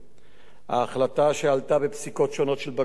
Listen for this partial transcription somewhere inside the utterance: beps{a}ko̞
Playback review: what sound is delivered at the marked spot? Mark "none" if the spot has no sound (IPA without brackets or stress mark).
i